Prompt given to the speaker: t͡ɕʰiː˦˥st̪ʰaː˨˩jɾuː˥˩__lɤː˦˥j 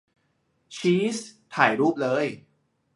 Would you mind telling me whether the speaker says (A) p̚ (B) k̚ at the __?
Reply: A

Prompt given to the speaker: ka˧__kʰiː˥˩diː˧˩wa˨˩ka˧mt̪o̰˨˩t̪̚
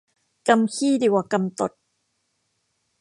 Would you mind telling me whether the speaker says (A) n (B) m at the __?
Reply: B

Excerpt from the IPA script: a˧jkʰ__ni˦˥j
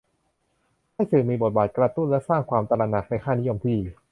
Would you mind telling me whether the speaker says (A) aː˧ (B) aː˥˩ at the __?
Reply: B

